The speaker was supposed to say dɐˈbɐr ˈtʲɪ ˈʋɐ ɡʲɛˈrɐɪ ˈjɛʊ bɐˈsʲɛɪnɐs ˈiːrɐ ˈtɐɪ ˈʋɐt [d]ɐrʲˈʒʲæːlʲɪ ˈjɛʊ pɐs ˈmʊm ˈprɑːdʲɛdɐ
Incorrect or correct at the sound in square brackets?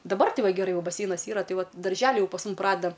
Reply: correct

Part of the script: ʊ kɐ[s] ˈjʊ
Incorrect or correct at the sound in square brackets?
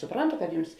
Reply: incorrect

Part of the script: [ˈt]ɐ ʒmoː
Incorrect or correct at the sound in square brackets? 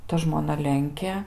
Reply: correct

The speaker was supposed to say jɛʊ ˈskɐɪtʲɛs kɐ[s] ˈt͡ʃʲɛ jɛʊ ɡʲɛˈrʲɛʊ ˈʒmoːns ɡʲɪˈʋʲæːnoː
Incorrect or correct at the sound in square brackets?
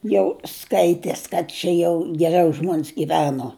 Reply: incorrect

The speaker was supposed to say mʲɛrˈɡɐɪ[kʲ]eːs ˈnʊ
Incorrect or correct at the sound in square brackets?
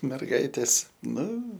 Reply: incorrect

